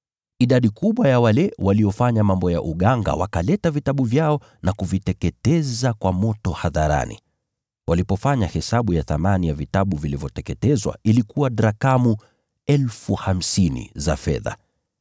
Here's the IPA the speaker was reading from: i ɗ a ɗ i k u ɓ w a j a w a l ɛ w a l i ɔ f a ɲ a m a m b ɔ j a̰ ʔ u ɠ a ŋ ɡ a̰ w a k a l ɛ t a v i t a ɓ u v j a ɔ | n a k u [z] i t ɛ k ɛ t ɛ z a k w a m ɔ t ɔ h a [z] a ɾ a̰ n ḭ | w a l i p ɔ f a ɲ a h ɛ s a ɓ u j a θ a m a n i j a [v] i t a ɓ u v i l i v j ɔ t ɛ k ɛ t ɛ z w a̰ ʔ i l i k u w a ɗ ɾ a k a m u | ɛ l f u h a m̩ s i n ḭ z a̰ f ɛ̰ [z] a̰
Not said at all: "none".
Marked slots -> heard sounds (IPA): v, ð, v, ð

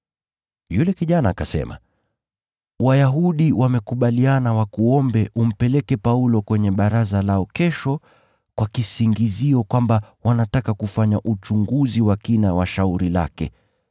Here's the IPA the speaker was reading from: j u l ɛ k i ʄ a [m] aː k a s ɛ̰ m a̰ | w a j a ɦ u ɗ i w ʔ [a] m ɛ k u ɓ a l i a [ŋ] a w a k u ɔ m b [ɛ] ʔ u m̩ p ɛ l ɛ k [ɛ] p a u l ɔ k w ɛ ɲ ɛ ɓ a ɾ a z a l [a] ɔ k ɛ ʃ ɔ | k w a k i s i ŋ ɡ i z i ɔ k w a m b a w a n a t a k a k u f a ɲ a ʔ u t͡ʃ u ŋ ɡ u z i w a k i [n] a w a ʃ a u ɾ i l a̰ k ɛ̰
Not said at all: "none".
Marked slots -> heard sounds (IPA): n, a, n, ɛ, ɛ, a, n

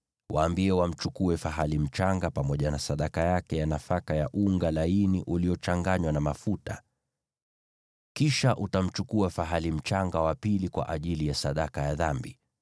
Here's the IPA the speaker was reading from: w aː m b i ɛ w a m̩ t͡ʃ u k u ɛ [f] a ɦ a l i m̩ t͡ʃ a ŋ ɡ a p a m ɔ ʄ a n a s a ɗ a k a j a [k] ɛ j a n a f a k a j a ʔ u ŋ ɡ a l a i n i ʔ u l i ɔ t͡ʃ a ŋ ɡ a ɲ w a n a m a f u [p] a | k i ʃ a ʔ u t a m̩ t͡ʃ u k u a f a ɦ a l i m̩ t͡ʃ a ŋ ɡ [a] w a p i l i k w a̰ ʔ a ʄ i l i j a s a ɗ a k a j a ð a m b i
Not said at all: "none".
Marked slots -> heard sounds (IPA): f, k, t, a

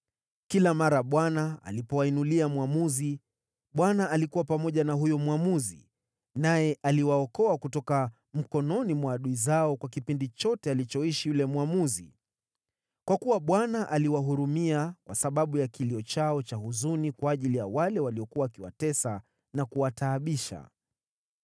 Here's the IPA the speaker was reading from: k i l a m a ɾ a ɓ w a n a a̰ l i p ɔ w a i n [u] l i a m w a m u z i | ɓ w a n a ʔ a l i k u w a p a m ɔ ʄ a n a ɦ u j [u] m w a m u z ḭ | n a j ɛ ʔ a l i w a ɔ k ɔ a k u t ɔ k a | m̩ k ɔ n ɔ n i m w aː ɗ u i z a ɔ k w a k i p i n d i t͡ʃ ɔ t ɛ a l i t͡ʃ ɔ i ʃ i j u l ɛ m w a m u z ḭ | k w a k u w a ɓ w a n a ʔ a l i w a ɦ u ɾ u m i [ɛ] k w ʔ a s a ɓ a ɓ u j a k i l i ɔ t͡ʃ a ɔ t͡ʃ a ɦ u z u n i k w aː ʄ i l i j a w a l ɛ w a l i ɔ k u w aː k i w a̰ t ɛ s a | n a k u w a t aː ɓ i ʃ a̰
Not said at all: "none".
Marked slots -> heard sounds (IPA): u, ɔ, a

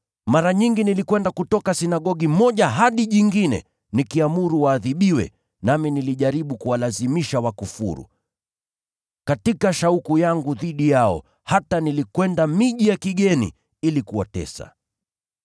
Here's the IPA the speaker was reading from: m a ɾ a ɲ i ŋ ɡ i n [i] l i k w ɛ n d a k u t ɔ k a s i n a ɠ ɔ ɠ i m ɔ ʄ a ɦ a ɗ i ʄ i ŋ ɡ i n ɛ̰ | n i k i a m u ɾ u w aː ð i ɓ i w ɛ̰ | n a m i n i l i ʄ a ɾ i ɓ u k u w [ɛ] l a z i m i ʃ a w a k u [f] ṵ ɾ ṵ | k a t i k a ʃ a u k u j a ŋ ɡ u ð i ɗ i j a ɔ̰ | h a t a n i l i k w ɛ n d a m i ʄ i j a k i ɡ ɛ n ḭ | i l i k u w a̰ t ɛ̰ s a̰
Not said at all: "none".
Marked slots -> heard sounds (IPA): i, a, f

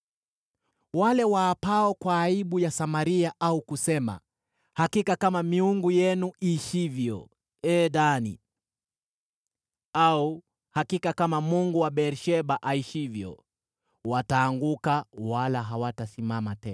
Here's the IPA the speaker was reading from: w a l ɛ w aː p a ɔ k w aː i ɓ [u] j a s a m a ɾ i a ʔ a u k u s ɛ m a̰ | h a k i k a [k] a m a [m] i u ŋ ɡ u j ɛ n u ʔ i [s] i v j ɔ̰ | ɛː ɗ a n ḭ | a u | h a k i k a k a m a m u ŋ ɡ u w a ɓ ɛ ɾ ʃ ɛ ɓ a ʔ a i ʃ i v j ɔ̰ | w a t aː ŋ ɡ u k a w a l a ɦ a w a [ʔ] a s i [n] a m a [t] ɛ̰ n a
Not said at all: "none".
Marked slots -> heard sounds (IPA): u, k, m, ʃ, t, m, t

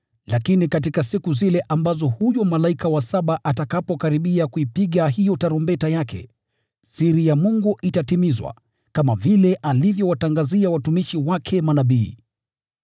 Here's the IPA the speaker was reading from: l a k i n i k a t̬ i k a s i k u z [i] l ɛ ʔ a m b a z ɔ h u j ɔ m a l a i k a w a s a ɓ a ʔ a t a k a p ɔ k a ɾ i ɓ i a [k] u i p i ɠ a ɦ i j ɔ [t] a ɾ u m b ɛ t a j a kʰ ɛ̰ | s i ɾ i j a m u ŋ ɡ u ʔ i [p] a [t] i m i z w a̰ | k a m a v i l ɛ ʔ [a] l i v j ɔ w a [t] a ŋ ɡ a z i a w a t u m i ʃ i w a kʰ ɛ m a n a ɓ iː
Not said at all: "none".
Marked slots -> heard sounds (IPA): i, k, t, t, t, a, t

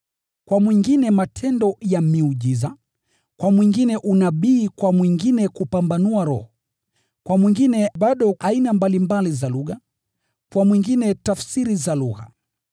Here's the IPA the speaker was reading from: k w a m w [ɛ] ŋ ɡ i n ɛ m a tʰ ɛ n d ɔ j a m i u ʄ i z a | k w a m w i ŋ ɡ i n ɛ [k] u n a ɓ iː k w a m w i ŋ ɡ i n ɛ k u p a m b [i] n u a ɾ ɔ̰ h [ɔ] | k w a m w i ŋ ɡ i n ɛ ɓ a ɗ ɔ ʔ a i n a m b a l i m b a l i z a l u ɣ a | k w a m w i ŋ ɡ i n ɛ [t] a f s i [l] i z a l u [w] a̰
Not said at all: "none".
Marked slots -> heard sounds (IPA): i, ʔ, a, ɔ, t, ɾ, ɣ

